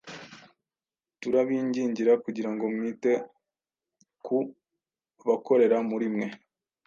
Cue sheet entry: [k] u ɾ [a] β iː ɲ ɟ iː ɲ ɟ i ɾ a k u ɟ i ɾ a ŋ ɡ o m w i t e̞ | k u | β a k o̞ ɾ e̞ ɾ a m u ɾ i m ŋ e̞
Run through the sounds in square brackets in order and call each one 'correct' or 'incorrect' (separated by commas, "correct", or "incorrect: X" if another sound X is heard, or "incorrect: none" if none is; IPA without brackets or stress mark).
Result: incorrect: t, correct